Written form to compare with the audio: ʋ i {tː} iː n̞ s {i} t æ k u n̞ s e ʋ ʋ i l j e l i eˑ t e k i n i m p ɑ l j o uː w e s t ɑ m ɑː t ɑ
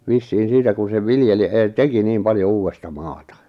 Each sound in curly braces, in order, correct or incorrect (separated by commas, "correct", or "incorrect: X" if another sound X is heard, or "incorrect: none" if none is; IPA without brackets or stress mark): incorrect: sː, incorrect: iː